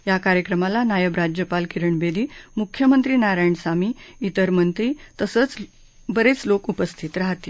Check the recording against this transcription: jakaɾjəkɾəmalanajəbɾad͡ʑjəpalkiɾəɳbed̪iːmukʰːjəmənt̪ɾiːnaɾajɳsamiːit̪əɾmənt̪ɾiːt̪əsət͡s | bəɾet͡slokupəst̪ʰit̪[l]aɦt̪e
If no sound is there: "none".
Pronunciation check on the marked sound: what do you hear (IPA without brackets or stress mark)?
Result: ɾ